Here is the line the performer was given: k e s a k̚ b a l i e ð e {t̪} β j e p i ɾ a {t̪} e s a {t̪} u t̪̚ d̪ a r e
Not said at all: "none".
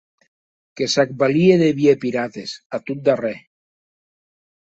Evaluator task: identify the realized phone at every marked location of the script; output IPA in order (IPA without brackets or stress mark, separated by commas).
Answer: none, t̪, t̪